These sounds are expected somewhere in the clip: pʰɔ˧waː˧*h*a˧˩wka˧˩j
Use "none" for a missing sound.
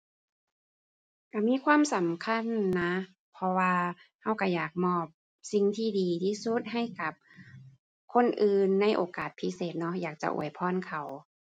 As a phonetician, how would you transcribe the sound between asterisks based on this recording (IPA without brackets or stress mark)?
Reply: h